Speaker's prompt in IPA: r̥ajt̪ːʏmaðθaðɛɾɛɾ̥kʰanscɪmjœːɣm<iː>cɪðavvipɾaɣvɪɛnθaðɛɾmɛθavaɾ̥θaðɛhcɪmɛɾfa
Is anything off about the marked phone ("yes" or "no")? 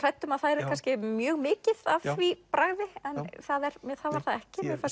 yes